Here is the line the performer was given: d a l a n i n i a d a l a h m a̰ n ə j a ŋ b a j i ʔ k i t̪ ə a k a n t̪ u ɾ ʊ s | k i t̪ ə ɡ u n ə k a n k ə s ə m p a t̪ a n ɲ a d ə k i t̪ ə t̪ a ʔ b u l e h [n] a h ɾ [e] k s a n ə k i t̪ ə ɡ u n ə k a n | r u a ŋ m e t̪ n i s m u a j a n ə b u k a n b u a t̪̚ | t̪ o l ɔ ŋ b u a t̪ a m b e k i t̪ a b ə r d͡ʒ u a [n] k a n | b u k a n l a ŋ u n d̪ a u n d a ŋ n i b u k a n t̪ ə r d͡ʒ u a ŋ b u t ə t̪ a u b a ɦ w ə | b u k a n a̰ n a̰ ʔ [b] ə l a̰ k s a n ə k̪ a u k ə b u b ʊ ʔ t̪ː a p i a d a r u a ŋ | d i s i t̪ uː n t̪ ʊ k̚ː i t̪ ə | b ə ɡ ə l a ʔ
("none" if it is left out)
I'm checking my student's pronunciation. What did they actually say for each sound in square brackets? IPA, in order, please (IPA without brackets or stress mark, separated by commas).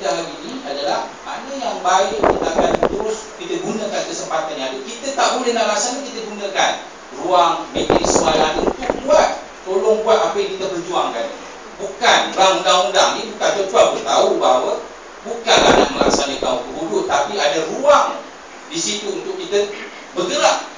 n, a, ŋ, m